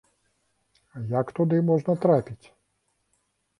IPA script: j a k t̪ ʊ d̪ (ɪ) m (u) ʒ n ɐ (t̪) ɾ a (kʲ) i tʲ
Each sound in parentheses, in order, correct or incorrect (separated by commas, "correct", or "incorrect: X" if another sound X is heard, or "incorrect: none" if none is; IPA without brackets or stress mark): correct, incorrect: ɔ, correct, incorrect: pʲ